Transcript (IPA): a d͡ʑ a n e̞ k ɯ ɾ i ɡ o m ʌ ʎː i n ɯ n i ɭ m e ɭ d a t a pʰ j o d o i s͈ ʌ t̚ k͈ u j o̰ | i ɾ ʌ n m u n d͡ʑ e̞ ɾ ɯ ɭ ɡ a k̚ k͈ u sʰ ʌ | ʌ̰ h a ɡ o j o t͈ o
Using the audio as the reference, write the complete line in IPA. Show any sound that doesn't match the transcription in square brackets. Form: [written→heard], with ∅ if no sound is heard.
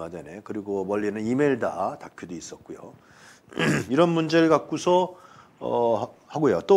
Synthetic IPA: a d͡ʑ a n e̞ k ɯ ɾ i ɡ o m ʌ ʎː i n ɯ n i [ɭ→∅] m e ɭ d a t a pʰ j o d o i s͈ ʌ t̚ k͈ u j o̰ | i ɾ ʌ n m u n d͡ʑ e̞ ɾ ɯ ɭ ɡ a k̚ k͈ u sʰ ʌ | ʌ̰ h a ɡ o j o t͈ o